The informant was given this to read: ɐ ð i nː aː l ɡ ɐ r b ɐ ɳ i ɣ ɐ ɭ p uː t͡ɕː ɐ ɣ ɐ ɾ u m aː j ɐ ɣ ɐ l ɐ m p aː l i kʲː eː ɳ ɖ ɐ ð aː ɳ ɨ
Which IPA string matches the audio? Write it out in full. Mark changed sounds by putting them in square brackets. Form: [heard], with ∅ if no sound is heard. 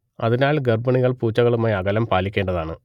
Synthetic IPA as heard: ɐ ð i [n] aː l ɡ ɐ r b ɐ ɳ i ɣ ɐ ɭ p uː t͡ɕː ɐ ɣ ɐ [ɭ] u m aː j ɐ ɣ ɐ l ɐ m p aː l i kʲː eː ɳ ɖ ɐ ð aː ɳ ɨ